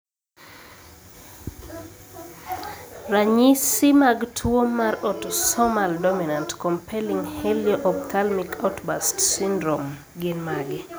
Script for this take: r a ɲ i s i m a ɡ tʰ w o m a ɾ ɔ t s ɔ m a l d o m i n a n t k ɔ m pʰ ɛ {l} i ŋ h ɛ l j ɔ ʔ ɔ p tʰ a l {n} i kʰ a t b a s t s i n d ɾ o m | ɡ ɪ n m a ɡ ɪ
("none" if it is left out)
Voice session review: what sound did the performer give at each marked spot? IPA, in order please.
l, m

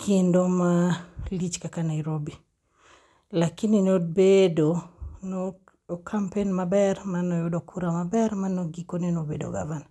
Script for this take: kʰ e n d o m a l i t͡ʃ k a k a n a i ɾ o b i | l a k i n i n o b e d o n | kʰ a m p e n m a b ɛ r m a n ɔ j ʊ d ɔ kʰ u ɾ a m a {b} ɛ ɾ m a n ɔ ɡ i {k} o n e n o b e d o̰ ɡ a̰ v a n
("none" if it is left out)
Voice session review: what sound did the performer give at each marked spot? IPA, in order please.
b, k

